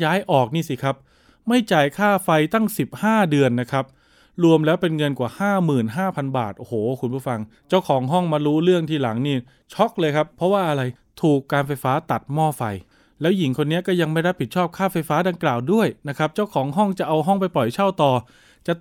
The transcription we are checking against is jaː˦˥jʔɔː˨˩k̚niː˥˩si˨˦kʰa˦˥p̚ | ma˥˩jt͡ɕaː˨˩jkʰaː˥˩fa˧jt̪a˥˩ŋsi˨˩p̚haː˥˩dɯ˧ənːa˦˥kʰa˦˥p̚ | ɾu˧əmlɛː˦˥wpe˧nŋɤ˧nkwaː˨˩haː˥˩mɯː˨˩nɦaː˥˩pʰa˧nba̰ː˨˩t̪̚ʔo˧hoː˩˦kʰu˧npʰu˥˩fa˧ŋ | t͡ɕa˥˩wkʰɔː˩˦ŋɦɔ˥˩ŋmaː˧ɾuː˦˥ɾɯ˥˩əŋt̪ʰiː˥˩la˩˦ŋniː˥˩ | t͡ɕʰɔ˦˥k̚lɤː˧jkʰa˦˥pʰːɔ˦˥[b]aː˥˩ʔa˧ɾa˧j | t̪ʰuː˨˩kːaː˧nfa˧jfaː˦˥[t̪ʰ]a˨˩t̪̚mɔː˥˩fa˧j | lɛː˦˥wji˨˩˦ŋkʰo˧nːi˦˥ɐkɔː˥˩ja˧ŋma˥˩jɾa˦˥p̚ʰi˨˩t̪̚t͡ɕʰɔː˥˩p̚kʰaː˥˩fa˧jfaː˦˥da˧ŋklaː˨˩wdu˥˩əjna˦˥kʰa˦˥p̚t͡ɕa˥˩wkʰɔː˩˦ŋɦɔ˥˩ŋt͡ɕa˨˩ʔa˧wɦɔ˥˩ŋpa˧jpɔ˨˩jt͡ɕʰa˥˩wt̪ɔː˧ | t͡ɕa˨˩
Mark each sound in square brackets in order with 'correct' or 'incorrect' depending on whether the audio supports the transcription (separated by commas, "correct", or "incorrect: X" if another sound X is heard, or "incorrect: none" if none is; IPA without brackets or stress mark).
incorrect: w, incorrect: t̪